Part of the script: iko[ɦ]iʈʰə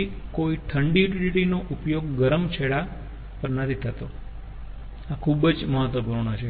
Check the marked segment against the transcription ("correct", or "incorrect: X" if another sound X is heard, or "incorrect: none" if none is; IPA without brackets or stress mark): incorrect: none